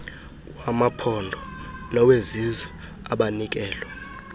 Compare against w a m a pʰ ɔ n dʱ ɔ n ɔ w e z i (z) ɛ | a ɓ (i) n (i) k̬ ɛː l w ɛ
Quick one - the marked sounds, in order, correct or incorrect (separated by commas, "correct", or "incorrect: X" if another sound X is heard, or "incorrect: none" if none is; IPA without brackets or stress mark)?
correct, incorrect: a, correct